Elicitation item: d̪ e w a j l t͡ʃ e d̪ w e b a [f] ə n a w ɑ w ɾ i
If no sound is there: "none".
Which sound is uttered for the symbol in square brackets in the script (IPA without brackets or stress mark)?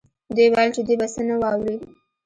s